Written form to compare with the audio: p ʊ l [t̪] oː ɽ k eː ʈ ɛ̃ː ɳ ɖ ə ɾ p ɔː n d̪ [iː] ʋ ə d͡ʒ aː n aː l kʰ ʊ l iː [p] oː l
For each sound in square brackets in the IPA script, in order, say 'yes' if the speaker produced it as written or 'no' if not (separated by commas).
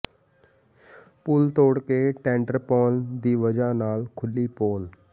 yes, yes, yes